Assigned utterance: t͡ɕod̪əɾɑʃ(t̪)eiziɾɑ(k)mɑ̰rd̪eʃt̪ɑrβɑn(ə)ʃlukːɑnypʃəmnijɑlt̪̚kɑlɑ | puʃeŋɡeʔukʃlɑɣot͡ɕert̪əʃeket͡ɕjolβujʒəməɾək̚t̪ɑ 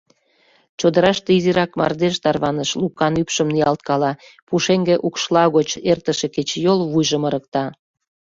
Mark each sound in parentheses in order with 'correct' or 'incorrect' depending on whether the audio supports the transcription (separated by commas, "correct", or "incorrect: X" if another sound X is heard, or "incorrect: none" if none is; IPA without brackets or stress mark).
correct, correct, correct